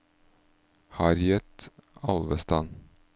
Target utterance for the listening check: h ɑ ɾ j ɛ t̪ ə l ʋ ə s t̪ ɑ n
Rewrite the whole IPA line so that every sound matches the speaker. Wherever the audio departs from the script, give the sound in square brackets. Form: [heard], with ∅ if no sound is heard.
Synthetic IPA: h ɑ ɾ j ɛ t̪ [ɑ] l ʋ ə s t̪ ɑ n